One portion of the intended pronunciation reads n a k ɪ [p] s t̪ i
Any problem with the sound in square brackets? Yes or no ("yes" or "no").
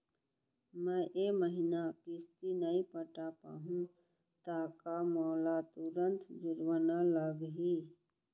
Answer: yes